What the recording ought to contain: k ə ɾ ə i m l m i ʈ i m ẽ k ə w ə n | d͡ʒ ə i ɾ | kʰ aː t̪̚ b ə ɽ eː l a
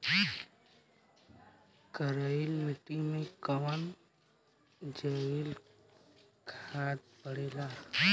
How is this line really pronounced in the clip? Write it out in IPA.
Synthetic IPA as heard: k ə ɾ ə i l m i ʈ i m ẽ k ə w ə n | d͡ʒ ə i l | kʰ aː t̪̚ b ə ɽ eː l a